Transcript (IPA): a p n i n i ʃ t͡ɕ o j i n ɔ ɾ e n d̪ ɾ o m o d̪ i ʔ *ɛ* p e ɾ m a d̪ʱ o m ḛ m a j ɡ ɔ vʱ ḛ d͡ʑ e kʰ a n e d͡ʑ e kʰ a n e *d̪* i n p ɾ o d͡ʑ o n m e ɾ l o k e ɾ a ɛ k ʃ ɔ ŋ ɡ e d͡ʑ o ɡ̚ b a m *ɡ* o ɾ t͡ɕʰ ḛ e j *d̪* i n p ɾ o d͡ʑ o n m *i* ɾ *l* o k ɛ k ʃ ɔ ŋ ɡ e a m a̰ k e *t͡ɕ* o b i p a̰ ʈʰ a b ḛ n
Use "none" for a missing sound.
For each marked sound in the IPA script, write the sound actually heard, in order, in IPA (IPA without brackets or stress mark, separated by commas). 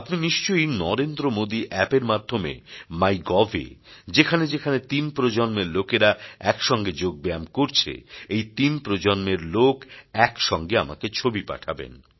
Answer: ɛ, t̪, k, t̪, e, l, t͡ɕʰ